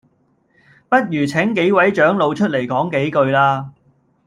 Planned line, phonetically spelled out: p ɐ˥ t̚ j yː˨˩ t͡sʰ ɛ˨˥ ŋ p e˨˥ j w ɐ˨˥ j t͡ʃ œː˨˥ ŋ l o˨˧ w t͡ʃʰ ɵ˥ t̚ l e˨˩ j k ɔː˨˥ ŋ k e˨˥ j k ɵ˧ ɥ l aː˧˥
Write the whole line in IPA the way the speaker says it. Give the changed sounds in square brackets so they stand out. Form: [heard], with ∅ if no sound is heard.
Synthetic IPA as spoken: p ɐ˥ t̚ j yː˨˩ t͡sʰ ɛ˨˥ ŋ [k] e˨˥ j w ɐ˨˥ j t͡ʃ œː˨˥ ŋ l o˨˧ w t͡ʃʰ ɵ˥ t̚ l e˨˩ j k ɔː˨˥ ŋ k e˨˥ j k ɵ˧ ɥ l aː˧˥